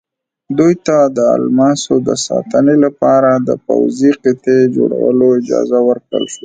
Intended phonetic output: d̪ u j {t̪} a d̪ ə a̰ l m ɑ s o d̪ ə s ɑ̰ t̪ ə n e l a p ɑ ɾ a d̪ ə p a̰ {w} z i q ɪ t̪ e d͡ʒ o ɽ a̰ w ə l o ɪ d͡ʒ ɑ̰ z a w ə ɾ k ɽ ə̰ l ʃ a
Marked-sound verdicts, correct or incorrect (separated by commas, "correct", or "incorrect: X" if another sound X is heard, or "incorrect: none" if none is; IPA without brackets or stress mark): correct, correct